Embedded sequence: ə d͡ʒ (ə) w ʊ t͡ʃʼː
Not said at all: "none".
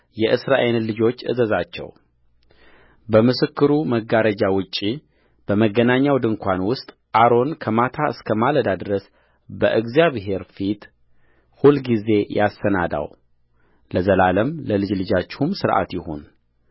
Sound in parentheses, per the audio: a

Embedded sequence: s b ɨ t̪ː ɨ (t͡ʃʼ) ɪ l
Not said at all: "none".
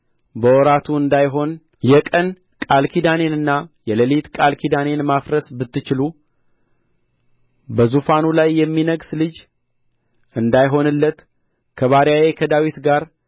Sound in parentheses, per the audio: t͡ʃ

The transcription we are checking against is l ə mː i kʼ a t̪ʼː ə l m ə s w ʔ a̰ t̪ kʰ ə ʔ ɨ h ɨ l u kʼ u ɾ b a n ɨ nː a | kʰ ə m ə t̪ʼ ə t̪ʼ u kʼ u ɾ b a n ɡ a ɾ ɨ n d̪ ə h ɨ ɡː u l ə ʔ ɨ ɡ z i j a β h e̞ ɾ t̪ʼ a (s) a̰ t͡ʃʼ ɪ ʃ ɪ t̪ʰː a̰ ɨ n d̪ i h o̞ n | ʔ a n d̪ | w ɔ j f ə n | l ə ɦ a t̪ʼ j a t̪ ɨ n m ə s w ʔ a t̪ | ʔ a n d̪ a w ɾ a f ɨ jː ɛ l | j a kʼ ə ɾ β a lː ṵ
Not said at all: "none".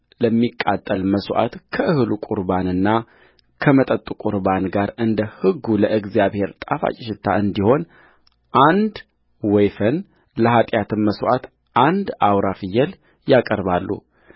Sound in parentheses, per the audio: f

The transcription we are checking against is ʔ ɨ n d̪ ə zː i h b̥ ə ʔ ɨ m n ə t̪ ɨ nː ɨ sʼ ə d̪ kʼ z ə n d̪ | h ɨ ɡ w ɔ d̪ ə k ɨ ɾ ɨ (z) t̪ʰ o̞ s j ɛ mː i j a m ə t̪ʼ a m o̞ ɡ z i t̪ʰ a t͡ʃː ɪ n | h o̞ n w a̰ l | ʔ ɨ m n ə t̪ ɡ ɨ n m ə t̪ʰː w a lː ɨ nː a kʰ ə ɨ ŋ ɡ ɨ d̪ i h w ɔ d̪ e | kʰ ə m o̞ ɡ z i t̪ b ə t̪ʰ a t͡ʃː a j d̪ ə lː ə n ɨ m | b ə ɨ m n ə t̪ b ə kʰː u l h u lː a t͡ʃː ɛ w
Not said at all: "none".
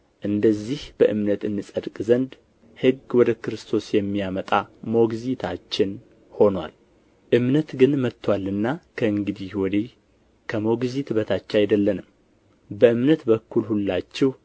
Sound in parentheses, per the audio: s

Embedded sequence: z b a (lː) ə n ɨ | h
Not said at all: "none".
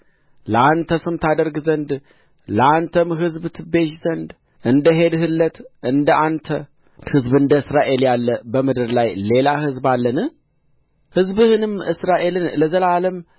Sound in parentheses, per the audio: lː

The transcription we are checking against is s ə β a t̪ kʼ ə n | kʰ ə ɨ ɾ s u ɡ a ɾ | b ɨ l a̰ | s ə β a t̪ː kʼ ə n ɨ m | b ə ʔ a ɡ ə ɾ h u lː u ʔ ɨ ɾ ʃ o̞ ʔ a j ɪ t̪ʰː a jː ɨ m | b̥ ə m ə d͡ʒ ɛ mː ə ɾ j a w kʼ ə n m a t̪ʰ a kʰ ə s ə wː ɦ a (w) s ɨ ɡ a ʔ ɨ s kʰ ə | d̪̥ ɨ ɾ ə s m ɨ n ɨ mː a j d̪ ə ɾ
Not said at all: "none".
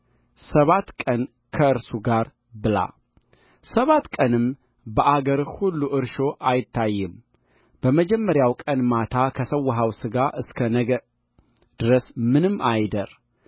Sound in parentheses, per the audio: w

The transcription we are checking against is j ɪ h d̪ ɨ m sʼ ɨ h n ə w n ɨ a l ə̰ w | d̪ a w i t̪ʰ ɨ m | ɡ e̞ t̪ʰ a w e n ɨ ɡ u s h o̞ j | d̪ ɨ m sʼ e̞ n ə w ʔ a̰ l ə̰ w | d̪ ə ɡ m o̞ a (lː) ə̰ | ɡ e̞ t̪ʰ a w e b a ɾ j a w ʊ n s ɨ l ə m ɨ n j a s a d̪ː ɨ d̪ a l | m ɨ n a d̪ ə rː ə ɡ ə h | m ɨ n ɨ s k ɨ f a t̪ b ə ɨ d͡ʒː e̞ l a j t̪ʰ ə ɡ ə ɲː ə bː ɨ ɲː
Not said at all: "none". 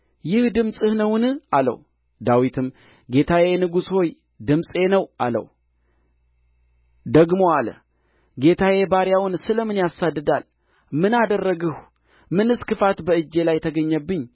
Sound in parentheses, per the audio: l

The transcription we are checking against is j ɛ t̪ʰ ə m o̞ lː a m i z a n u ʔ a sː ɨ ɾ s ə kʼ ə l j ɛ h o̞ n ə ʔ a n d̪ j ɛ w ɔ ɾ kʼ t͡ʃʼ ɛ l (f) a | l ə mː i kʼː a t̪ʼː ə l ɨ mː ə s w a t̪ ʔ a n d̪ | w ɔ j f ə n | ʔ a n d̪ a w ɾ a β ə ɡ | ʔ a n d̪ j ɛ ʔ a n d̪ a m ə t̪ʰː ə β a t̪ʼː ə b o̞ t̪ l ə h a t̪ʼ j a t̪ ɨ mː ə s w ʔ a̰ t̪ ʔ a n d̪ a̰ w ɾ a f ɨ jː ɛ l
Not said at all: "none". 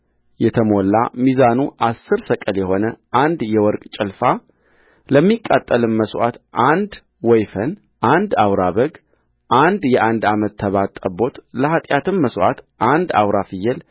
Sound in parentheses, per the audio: f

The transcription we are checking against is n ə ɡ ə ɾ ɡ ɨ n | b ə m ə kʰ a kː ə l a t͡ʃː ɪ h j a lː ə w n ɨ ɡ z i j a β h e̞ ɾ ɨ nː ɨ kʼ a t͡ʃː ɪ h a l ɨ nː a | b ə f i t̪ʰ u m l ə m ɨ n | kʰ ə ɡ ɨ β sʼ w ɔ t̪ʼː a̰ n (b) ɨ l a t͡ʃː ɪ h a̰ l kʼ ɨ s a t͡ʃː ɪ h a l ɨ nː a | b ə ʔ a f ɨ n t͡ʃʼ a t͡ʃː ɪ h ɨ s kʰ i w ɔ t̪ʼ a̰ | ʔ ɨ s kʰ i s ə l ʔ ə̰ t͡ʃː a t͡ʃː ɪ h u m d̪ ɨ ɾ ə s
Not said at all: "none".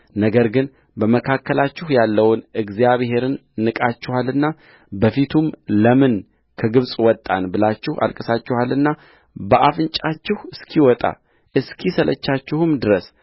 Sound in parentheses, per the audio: b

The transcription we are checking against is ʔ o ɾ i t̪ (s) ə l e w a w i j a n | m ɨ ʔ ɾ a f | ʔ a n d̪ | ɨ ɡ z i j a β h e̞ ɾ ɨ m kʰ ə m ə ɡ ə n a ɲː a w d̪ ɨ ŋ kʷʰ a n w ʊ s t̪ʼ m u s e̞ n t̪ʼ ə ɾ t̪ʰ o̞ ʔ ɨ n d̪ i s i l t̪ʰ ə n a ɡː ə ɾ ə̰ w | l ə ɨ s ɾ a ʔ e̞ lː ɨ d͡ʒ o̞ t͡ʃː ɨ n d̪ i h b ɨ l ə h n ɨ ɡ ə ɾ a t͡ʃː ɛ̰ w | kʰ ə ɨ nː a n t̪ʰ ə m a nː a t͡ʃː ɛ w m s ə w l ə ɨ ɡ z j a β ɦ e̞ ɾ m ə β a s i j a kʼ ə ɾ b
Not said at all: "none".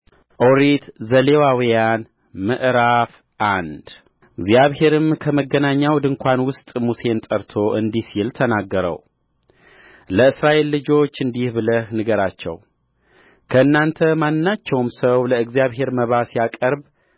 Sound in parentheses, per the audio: z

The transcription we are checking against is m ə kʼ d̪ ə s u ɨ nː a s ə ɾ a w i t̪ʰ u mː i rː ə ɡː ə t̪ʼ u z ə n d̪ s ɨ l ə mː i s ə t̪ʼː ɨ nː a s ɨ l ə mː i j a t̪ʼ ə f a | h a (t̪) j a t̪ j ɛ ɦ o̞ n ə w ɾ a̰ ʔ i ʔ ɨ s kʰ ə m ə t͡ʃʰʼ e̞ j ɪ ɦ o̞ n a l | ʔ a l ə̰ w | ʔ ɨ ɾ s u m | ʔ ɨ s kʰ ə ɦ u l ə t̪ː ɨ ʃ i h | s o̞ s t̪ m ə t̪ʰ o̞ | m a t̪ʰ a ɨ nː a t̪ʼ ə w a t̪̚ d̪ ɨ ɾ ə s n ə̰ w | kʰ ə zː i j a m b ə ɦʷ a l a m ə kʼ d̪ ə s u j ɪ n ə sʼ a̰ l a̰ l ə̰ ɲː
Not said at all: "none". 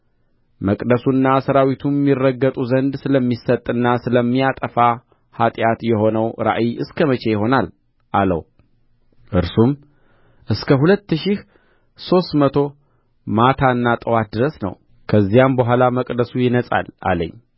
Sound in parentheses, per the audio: t̪ʼ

